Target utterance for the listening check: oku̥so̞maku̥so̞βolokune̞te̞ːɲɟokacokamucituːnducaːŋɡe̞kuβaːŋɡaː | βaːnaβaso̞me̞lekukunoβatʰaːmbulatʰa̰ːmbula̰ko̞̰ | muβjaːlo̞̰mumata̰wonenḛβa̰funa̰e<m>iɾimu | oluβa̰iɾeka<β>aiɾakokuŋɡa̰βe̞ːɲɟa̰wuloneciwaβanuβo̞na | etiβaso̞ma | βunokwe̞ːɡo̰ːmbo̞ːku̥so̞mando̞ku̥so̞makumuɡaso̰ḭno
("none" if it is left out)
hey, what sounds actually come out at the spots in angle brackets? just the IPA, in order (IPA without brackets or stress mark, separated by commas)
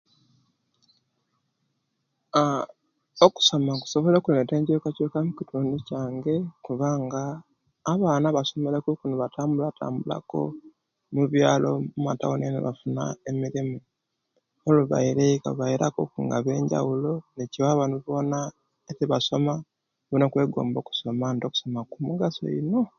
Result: m, β